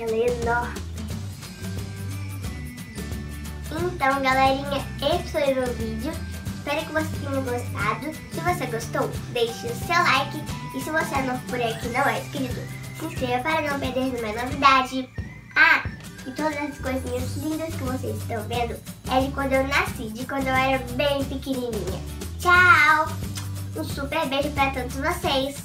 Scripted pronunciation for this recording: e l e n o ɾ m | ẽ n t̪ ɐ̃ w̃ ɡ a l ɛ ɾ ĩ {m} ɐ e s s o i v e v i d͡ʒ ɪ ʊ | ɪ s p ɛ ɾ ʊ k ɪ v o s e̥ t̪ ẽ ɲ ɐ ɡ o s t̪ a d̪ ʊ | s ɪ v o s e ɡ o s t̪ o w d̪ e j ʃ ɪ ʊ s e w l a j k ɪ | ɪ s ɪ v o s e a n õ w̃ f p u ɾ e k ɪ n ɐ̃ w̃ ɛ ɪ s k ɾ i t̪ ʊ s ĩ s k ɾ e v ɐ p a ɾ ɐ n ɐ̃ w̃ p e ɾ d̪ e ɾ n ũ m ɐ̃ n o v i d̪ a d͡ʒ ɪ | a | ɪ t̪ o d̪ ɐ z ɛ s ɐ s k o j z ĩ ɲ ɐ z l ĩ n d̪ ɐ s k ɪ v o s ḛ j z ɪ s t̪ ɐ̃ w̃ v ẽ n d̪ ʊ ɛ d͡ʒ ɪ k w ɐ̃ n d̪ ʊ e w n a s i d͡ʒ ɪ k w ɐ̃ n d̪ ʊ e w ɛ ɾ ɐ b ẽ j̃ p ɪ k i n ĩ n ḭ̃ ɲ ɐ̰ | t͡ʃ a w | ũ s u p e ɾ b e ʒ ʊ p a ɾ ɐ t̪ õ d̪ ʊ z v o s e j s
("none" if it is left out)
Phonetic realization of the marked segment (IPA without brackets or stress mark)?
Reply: ɲ